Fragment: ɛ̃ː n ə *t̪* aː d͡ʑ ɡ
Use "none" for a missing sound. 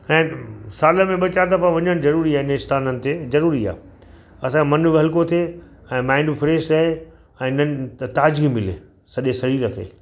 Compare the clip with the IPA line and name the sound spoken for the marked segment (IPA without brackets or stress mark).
t̪